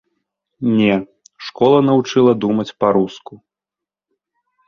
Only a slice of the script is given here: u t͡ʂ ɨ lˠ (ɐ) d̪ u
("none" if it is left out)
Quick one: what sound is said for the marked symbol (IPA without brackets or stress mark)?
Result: ɐ